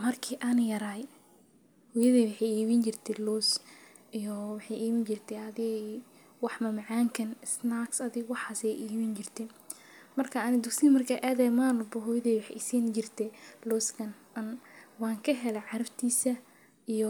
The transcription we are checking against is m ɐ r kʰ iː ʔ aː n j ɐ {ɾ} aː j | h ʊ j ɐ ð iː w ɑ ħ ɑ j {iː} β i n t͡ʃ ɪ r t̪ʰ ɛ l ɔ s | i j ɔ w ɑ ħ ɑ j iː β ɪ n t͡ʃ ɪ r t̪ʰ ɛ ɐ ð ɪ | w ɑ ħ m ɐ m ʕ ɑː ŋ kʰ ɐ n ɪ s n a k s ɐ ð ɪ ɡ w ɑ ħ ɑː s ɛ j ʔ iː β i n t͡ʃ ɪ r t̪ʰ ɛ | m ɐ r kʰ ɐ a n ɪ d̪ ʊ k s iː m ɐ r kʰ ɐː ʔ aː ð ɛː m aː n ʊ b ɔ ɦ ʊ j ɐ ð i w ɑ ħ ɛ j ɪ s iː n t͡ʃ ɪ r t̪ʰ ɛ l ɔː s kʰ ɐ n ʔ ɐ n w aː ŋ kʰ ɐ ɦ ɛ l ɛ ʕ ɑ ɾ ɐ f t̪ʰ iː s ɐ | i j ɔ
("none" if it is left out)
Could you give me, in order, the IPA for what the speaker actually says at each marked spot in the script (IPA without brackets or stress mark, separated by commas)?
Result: ɾ, iː